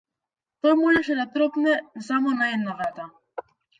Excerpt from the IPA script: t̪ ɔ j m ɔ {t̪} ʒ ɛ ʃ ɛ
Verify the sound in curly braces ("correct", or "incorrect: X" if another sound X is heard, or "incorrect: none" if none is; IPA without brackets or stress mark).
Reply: incorrect: none